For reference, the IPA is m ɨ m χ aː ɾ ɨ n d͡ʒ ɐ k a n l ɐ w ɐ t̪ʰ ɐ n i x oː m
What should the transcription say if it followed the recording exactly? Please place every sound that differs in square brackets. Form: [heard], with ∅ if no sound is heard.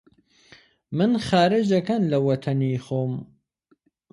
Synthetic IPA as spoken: m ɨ [n] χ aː ɾ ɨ [∅] d͡ʒ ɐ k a n l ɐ w ɐ t̪ʰ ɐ n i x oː m